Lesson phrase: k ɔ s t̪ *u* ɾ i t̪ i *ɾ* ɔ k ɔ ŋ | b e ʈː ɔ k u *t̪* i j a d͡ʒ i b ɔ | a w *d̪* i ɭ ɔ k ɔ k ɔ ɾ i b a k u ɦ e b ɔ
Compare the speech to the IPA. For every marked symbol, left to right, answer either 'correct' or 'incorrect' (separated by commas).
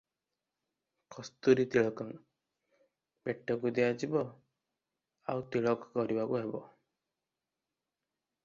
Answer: correct, incorrect, incorrect, incorrect